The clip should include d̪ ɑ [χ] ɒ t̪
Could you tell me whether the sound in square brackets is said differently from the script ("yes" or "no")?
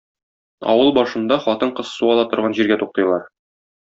no